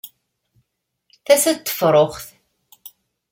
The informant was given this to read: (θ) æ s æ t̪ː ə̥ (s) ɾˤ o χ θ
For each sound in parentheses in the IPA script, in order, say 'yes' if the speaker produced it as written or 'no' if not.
yes, no

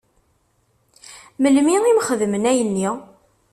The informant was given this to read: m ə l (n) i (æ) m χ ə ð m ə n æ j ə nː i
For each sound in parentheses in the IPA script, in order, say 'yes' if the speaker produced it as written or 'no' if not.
no, no

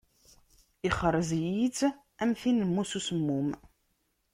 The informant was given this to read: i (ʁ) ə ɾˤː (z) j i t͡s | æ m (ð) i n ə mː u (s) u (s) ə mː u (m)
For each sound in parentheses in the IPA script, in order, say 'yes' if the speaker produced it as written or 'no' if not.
no, yes, no, yes, yes, yes

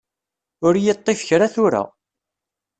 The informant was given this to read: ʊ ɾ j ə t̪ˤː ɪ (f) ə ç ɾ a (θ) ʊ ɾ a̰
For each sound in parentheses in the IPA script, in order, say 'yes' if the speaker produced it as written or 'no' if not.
yes, yes

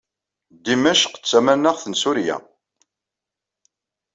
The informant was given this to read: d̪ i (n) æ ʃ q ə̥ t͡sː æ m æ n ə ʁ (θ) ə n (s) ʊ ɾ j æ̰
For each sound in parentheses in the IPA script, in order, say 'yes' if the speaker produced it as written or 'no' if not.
no, yes, yes

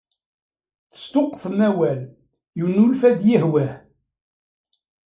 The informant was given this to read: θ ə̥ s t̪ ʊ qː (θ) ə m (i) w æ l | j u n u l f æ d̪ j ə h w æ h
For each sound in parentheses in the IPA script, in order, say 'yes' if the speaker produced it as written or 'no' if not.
yes, no

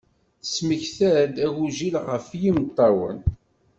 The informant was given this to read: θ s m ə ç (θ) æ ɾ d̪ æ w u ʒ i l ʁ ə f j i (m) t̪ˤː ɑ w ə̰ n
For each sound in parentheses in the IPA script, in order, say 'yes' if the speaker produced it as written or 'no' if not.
yes, yes

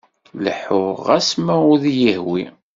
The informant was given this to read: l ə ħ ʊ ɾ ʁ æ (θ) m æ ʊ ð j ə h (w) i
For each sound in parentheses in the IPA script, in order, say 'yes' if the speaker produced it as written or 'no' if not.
no, yes

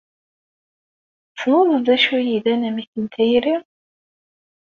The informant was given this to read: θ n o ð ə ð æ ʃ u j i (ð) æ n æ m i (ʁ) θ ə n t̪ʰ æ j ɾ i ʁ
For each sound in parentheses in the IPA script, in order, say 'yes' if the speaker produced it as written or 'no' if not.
yes, no

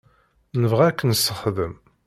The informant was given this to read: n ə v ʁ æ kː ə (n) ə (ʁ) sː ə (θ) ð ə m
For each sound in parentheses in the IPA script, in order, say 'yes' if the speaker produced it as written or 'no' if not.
yes, no, no

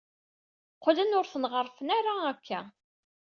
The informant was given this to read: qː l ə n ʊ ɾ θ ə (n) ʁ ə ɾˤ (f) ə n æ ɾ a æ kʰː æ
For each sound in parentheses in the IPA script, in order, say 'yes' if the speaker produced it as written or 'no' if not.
yes, yes

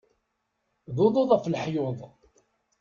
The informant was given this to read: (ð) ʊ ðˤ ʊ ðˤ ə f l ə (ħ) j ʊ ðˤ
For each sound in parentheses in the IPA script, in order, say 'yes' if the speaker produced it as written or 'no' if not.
yes, yes

